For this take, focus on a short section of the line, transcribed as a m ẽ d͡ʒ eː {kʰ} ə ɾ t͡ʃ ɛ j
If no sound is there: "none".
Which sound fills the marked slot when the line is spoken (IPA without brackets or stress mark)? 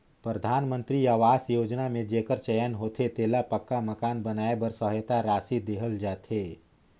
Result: k